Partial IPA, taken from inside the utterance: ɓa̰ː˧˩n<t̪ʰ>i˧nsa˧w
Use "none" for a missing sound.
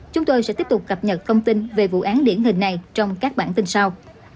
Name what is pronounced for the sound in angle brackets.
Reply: t̪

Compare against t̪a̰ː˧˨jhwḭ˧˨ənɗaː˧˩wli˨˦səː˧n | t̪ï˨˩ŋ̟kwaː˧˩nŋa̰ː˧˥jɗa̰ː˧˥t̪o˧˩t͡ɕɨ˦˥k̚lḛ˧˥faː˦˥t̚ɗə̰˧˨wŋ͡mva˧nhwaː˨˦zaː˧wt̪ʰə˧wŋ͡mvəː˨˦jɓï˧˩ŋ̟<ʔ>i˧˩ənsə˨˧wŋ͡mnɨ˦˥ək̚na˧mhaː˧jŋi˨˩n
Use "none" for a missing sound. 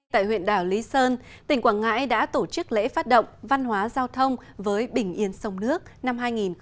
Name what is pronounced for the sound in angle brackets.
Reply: ʔ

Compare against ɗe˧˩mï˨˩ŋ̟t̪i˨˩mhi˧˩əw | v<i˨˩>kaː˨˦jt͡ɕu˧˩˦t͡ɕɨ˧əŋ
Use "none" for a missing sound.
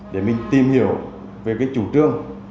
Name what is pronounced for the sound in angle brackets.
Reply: e˨˩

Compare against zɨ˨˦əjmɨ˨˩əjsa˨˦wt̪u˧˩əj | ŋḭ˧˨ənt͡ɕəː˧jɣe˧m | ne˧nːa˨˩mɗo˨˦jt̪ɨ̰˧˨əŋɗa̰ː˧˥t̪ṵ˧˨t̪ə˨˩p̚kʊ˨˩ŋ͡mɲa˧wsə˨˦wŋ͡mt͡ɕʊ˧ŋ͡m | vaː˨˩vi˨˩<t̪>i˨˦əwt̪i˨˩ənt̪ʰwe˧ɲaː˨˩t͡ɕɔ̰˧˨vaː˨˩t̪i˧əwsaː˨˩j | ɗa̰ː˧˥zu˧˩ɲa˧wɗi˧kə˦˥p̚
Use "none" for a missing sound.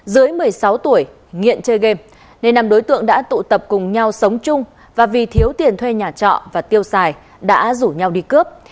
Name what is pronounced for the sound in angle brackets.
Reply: t̪ʰ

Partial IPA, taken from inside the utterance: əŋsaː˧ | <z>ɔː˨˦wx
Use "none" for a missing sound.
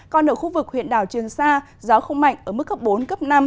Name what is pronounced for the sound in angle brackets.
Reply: z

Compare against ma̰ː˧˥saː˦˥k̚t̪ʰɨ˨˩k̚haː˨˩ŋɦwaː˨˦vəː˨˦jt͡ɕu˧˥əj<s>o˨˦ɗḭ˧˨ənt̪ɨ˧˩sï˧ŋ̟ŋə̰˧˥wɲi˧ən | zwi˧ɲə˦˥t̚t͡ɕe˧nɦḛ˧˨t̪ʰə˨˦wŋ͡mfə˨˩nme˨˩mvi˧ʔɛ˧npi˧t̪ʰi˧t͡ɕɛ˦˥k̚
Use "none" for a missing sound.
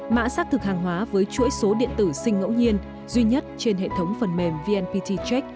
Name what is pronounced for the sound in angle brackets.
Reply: s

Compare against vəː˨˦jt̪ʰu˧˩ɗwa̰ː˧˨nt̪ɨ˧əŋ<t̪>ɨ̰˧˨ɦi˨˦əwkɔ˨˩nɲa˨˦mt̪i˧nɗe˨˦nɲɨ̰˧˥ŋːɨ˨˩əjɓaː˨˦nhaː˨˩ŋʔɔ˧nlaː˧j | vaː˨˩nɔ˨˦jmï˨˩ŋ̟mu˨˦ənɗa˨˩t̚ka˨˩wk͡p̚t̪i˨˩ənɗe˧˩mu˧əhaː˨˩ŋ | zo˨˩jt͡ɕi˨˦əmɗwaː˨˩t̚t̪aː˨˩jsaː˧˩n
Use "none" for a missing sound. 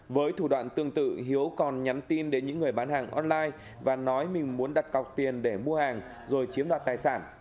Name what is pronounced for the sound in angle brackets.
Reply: t̪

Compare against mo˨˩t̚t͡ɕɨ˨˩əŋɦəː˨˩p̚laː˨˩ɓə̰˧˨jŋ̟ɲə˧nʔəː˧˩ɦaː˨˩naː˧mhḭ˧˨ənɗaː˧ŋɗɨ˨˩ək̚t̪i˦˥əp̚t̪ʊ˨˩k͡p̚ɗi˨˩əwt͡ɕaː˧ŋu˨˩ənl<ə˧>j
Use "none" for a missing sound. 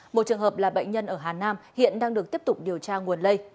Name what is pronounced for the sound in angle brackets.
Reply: ə˧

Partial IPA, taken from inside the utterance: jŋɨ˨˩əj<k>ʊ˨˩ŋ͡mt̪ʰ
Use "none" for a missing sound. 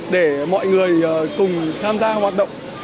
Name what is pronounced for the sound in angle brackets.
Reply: k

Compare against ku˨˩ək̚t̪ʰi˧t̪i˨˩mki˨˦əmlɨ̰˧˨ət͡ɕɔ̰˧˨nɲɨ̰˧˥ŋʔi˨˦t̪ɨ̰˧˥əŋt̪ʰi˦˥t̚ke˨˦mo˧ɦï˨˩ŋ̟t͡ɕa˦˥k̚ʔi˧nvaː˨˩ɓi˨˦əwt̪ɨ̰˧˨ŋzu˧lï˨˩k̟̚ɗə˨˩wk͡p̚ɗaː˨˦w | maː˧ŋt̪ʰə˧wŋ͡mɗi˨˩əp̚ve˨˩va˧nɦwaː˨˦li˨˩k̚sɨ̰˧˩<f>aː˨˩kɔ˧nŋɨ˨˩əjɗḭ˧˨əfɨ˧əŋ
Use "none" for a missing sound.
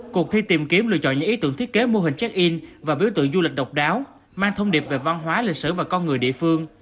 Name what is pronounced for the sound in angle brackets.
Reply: v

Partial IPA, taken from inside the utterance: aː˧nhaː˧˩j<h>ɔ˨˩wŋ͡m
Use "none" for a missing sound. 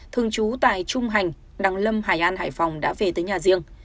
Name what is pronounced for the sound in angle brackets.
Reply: f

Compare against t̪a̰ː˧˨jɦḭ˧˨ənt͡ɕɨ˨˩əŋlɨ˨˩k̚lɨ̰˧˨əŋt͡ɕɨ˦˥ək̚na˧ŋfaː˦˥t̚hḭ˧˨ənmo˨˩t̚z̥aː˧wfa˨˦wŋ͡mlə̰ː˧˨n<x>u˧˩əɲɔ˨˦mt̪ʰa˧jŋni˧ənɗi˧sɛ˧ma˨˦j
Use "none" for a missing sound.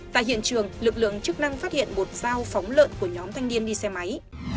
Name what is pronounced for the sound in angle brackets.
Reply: k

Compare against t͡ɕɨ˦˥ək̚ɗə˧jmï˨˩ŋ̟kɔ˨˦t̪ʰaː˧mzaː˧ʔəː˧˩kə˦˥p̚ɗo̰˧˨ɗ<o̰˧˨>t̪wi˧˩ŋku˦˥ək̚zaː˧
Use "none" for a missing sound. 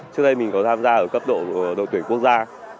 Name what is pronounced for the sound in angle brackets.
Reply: o̰˧˨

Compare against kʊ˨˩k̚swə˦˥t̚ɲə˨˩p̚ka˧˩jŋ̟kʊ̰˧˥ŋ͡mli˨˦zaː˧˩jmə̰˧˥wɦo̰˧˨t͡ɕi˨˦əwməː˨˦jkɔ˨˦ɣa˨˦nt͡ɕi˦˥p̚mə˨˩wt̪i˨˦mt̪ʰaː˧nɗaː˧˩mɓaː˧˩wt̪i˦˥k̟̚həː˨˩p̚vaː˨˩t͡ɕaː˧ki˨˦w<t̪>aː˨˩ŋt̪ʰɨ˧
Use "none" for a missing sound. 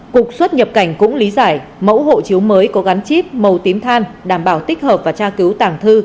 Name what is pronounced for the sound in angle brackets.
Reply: t̪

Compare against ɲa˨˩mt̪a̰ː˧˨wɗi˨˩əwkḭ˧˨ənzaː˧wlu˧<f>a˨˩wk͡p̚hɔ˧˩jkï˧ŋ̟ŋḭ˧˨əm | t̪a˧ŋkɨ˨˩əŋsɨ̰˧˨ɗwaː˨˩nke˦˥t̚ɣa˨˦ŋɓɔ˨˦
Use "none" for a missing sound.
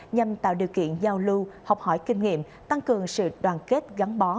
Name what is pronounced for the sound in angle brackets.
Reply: h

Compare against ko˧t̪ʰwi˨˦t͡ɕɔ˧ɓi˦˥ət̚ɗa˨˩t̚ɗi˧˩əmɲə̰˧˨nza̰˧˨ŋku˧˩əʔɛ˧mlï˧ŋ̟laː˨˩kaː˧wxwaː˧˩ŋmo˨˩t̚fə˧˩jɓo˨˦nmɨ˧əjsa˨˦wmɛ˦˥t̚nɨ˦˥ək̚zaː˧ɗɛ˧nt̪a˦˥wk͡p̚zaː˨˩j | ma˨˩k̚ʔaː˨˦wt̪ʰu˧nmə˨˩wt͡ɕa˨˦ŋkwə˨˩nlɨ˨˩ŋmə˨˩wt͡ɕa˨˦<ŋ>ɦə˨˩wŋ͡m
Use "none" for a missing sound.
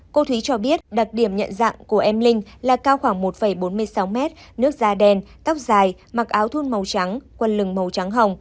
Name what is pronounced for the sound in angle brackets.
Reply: ŋ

